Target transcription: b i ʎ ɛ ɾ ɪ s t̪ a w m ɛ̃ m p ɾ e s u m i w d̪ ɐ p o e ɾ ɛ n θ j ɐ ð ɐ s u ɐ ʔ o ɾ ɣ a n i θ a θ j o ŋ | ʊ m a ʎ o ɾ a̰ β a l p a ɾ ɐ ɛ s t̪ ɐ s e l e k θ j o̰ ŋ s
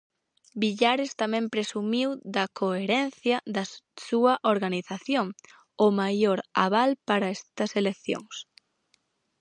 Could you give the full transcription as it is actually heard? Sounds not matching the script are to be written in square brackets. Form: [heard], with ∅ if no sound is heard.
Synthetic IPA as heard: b i ʎ [a] ɾ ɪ s t̪ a [∅] m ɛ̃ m p ɾ e s u m i w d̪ ɐ [k] o e ɾ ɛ n θ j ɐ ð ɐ s u ɐ ʔ o ɾ ɣ a n i θ a θ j o ŋ | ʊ m a [j] o ɾ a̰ β a l p a ɾ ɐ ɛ s t̪ ɐ s e l e k θ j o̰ ŋ s